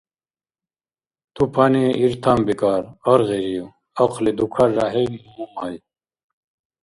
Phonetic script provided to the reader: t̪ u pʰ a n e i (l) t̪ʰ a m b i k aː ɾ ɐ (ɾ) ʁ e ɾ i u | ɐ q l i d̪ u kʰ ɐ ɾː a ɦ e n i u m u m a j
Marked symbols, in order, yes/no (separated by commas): no, yes